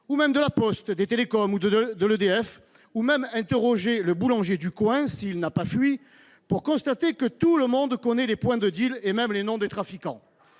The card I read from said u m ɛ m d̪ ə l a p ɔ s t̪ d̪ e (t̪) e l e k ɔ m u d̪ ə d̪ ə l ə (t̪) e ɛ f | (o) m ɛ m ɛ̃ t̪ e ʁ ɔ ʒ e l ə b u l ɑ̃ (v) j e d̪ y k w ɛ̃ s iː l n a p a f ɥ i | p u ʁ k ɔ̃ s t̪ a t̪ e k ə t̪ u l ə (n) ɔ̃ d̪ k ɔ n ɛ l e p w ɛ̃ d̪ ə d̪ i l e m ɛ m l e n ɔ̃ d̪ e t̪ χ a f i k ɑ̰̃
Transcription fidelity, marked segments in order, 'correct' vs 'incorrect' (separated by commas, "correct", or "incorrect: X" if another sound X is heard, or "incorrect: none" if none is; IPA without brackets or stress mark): correct, incorrect: d̪, incorrect: u, incorrect: ʒ, incorrect: m